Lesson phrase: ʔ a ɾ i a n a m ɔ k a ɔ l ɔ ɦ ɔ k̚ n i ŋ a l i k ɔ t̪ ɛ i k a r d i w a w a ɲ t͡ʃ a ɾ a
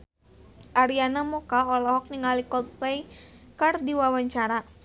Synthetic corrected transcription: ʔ a ɾ i a n a m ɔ k a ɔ l ɔ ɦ ɔ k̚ n i ŋ a l i k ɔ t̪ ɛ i k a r d i w a w a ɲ t͡ʃ a ɾ a